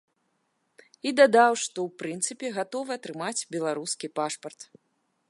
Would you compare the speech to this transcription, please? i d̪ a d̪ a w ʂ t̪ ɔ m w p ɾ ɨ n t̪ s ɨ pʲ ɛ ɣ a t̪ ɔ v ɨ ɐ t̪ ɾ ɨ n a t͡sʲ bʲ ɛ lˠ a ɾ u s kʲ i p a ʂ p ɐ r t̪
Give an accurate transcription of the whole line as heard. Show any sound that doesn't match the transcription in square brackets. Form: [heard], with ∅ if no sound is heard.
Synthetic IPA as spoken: i d̪ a d̪ a w ʂ t̪ ɔ [∅] w p ɾ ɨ n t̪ s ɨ pʲ ɛ ɣ a t̪ ɔ v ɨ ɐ t̪ ɾ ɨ [m] a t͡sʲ bʲ ɛ lˠ a ɾ u s kʲ i p a ʂ p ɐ r t̪